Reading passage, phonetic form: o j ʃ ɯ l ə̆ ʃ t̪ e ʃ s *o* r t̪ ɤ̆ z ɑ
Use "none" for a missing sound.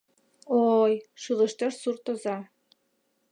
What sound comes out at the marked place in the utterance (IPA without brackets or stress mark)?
u